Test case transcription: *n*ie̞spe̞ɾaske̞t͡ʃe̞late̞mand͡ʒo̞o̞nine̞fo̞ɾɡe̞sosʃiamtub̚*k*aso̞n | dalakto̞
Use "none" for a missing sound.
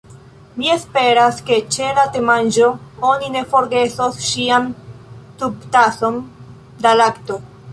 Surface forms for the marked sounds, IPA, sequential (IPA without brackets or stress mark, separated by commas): m, t